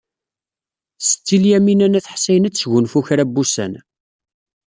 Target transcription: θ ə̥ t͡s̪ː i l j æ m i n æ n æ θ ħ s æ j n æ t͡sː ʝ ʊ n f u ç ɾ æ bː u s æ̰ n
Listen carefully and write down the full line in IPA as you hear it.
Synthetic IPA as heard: s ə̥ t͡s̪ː i l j æ m i n æ n æ θ ħ s æ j n æ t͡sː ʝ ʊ n f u ç ɾ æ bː u s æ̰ n